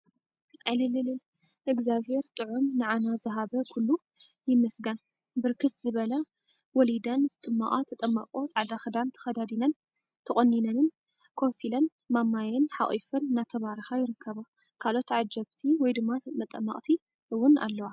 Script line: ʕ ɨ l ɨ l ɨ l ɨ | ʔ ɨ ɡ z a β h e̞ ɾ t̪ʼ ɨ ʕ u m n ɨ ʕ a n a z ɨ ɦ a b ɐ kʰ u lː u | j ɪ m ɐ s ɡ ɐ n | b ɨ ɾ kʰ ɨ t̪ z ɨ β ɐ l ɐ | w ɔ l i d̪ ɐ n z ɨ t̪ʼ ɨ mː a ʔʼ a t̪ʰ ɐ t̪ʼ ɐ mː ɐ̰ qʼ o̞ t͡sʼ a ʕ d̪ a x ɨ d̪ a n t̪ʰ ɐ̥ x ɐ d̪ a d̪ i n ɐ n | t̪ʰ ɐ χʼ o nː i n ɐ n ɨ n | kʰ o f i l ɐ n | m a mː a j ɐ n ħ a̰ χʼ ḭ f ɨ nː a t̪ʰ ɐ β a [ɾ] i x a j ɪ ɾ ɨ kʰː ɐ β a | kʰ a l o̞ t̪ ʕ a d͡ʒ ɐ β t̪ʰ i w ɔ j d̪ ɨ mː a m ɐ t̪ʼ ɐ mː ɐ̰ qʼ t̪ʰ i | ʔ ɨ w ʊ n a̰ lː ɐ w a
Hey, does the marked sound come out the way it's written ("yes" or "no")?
yes